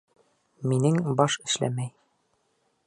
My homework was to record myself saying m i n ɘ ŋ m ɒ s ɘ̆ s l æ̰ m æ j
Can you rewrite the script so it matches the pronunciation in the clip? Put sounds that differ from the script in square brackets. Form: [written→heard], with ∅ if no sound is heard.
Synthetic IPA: m i n ɘ ŋ [m→b] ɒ [s→ʃ] ɘ̆ [s→ʃ] l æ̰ m æ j

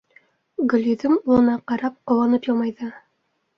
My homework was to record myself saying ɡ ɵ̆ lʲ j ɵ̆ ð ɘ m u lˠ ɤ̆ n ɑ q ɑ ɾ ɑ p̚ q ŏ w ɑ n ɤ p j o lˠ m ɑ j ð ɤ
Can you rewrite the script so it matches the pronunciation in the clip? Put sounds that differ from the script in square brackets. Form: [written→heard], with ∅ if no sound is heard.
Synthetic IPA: ɡ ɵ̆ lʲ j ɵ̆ ð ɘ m u lˠ ɤ̆ n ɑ q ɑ ɾ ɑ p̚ q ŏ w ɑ n ɤ p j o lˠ m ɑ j ð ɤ

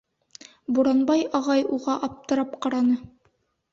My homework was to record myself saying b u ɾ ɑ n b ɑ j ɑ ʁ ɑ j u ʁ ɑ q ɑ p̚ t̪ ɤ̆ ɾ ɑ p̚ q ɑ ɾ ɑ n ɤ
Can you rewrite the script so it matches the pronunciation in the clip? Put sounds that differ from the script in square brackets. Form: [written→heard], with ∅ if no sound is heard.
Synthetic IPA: b u ɾ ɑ n b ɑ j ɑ ʁ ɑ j u ʁ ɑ [q→ʔ] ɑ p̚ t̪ ɤ̆ ɾ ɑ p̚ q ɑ ɾ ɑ n ɤ

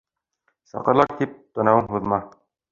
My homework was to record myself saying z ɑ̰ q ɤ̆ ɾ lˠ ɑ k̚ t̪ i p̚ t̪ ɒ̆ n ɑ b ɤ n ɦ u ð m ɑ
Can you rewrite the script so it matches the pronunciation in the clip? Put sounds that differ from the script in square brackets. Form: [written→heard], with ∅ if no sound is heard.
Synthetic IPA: [z→s] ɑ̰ q ɤ̆ ɾ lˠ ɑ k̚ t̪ i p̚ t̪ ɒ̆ n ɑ [b→w] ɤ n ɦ u ð m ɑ

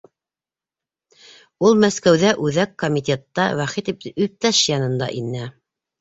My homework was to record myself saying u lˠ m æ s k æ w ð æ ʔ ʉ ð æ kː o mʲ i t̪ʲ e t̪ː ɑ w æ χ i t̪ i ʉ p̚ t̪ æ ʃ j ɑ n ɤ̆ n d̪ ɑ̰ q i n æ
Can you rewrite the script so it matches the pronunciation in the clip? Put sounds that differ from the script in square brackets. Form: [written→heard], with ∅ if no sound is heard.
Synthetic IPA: u lˠ m æ s k æ w ð æ ʔ ʉ ð æ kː o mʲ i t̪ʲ e t̪ː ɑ w æ χ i t̪ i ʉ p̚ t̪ æ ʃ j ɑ n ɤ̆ n d̪ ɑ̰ [q→ʔ] i n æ

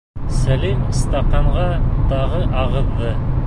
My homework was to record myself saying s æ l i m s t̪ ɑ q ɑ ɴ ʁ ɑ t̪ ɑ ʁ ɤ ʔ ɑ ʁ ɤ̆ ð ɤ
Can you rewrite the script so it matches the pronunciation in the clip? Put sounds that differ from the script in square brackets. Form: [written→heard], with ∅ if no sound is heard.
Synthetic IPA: s æ l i m s t̪ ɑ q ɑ ɴ ʁ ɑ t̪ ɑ ʁ ɤ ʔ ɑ ʁ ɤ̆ [ð→ðː] ɤ

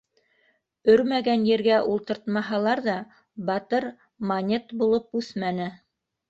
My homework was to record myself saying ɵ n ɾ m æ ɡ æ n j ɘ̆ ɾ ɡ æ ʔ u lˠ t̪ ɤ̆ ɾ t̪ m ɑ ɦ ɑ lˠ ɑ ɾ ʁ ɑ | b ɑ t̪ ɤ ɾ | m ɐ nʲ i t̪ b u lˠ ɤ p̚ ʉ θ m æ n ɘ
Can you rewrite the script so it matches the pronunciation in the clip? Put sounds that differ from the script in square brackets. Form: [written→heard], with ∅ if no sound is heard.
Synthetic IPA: ɵ [n→∅] ɾ m æ ɡ æ n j ɘ̆ ɾ ɡ æ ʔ u lˠ t̪ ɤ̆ ɾ t̪ m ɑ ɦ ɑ lˠ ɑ ɾ [ʁ→ð] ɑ | b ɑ t̪ ɤ ɾ | m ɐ nʲ [i→e] t̪ b u lˠ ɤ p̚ ʉ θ m æ n ɘ

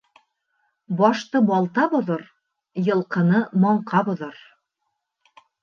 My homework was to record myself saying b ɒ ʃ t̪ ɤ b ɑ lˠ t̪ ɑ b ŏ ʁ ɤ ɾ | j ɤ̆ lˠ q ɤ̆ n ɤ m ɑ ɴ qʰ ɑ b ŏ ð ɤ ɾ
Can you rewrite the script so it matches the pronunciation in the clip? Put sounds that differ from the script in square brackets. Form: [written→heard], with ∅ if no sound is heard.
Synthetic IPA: b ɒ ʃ t̪ ɤ b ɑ lˠ t̪ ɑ b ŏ [ʁ→ð] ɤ ɾ | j ɤ̆ lˠ q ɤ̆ n ɤ m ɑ ɴ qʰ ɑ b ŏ ð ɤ ɾ

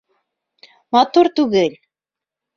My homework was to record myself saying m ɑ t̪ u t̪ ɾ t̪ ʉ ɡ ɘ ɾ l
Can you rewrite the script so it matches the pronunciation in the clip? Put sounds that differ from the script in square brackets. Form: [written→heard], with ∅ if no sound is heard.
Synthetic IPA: m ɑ t̪ u [t̪→∅] ɾ t̪ ʉ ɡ ɘ [ɾ→∅] l

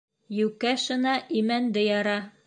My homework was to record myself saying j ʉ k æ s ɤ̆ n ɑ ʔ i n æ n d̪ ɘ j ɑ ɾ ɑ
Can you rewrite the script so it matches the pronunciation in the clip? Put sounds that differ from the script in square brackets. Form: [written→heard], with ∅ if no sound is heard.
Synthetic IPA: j ʉ k æ [s→ʃ] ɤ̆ n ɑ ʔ i [n→m] æ n d̪ ɘ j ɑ ɾ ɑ

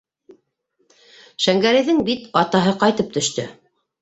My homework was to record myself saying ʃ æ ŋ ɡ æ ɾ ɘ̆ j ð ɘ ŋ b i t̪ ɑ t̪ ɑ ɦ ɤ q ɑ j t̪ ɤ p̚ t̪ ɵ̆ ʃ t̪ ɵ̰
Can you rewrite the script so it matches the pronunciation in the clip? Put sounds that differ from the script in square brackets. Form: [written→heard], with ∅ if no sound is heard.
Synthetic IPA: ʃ æ ŋ ɡ æ ɾ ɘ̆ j ð ɘ ŋ b i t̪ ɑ t̪ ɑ ɦ ɤ q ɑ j t̪ ɤ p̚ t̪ ɵ̆ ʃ t̪ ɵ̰

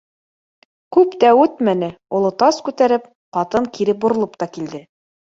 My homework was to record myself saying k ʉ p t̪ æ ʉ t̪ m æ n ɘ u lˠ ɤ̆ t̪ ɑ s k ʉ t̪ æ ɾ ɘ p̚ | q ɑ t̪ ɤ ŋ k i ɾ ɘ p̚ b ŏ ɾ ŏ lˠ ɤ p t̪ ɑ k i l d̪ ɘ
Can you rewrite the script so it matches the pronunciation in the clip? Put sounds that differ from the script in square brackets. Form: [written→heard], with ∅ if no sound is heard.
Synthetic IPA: k ʉ p t̪ æ ʉ t̪ m æ n ɘ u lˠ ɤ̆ t̪ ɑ s k ʉ t̪ æ ɾ ɘ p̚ | q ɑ t̪ ɤ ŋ k i ɾ ɘ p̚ b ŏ ɾ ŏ lˠ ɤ p t̪ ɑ k i l d̪ ɘ

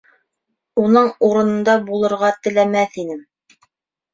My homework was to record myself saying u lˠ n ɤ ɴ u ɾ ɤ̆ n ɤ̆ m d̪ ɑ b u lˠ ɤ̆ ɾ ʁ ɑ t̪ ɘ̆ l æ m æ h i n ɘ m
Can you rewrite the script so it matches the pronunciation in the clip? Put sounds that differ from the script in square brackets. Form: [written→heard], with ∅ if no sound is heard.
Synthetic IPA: u [lˠ→∅] n ɤ ɴ u ɾ ɤ̆ n ɤ̆ [m→n] d̪ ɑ b u lˠ ɤ̆ ɾ ʁ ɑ t̪ ɘ̆ l æ m æ [h→θ] i n ɘ m

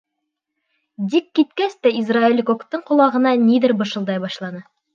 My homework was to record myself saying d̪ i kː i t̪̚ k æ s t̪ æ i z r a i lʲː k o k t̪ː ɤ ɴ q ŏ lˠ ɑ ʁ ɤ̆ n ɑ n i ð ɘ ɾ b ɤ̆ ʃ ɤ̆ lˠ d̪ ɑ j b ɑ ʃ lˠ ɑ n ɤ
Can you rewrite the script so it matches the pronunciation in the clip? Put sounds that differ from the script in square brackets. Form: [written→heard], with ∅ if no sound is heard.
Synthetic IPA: d̪ i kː i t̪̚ k æ s t̪ æ i z r a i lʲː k o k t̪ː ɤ ɴ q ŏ lˠ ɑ ʁ ɤ̆ n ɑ n i ð ɘ ɾ b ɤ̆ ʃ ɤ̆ lˠ d̪ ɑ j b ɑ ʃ lˠ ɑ n ɤ

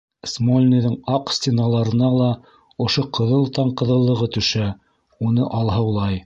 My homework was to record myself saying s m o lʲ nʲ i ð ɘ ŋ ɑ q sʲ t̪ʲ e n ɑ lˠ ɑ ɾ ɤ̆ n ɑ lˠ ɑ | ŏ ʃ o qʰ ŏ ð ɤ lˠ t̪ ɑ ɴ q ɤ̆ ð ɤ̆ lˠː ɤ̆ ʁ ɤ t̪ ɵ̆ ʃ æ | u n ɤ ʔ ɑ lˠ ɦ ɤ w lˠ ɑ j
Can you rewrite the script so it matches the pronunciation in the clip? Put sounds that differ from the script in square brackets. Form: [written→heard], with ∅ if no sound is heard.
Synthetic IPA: s m o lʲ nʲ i ð ɘ ŋ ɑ q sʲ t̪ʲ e n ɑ lˠ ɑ ɾ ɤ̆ n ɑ lˠ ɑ | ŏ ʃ o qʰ [ŏ→ɤ̆] ð ɤ lˠ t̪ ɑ ɴ q ɤ̆ ð ɤ̆ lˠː ɤ̆ ʁ ɤ t̪ ɵ̆ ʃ æ | u n ɤ ʔ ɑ lˠ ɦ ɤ w lˠ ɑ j

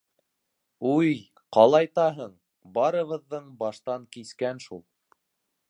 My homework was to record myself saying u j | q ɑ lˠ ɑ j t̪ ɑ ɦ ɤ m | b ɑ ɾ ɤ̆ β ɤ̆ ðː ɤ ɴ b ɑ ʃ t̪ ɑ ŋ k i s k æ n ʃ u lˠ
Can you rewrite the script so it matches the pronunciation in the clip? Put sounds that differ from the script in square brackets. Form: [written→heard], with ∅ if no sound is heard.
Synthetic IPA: u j | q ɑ lˠ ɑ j t̪ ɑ ɦ ɤ [m→ɴ] | b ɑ ɾ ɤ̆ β ɤ̆ ðː ɤ ɴ b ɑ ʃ t̪ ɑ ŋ k i s k æ n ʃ u lˠ

